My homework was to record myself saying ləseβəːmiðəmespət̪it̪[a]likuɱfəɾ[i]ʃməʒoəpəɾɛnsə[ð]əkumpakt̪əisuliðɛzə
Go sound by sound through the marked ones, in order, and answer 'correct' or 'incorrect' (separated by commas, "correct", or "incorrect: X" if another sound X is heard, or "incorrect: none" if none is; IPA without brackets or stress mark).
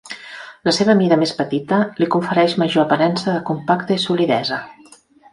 incorrect: ə, incorrect: ɛ, correct